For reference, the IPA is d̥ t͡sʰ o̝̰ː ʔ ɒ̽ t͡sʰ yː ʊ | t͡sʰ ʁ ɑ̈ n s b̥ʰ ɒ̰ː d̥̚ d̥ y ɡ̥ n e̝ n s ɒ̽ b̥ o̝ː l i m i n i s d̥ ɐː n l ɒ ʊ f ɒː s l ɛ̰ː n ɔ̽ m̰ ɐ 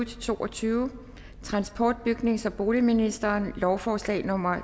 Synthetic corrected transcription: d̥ t͡sʰ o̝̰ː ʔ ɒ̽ t͡sʰ yː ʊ | t͡sʰ ʁ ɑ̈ n s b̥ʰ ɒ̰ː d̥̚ b̥ y ɡ̥ n e̝ ŋ s ɒ̽ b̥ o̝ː l i m i n i s d̥ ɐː n l ɒ ʊ f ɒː s l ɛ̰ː n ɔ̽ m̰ ɐ